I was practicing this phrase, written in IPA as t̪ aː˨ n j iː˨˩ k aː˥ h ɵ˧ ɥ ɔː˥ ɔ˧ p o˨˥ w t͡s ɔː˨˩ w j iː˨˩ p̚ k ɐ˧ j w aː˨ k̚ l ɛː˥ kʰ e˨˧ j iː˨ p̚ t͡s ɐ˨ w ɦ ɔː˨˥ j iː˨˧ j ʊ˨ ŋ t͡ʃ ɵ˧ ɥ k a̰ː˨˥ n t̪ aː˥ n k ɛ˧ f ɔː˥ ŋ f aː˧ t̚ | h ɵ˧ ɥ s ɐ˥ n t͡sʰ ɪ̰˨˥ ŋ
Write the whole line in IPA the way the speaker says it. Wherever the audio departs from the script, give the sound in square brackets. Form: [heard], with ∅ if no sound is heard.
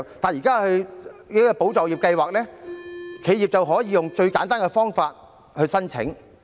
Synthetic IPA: t̪ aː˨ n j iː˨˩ k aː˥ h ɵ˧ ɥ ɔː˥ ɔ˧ p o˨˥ w t͡s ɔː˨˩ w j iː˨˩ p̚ k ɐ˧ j w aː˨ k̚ l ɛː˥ kʰ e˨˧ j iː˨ p̚ t͡s ɐ˨ w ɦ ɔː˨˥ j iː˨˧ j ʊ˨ ŋ t͡ʃ ɵ˧ ɥ k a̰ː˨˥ n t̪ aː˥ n k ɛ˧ f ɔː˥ ŋ f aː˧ t̚ | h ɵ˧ ɥ s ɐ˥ n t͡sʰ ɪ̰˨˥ ŋ